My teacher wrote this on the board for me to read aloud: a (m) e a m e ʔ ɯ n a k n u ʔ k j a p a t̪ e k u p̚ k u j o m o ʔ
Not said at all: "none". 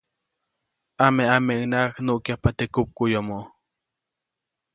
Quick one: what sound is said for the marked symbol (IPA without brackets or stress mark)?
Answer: m